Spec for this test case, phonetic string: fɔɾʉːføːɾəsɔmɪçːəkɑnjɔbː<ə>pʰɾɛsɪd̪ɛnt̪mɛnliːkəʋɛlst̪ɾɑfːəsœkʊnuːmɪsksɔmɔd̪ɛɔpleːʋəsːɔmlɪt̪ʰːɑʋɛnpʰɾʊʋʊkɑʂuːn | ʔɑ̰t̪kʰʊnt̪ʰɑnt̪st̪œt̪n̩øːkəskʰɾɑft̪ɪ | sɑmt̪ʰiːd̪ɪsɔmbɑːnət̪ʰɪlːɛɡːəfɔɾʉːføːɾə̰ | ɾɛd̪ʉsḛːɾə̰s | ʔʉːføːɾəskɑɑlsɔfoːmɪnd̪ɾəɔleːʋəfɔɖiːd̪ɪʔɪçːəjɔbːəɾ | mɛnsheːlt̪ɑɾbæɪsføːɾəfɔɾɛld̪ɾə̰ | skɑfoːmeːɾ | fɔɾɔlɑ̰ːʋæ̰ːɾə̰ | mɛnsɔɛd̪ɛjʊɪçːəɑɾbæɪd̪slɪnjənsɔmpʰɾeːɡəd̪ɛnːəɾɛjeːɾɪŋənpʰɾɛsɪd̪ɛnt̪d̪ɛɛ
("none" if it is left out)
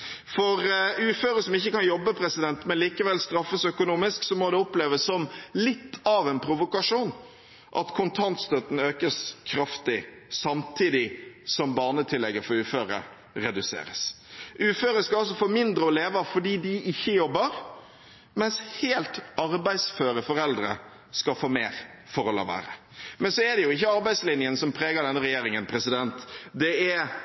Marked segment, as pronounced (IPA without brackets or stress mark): ə